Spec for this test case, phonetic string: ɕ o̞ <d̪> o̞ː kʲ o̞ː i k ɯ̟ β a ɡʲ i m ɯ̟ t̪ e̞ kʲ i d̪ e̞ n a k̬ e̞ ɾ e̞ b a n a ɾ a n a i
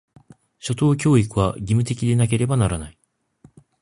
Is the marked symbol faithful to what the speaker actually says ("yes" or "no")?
no